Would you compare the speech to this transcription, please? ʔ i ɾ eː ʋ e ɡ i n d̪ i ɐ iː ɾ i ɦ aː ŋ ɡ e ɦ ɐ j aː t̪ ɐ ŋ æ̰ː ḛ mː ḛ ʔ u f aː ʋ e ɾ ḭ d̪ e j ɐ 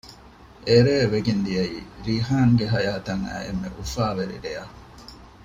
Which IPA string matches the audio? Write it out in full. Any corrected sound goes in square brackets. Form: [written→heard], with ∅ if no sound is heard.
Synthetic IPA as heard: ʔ [i→e] ɾ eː ʋ e ɡ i n d̪ i ɐ iː ɾ i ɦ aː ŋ ɡ e ɦ ɐ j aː t̪ ɐ ŋ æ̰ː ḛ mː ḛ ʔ u f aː ʋ e ɾ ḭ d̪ e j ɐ